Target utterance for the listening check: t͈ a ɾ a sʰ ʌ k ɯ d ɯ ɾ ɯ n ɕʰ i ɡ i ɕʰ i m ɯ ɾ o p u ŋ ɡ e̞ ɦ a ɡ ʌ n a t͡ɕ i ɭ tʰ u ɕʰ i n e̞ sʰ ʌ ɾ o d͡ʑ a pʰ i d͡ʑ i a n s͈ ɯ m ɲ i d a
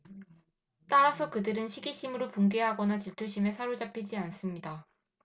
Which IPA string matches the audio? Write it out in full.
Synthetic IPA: t͈ a ɾ a sʰ ʌ k ɯ d ɯ ɾ ɯ n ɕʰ i ɡ i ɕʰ i m ɯ ɾ o p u ŋ ɡ e̞ ɦ a ɡ ʌ n a t͡ɕ i ɭ tʰ u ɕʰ i m e̞ sʰ a ɾ o d͡ʑ a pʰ i d͡ʑ i a n s͈ ɯ m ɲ i d a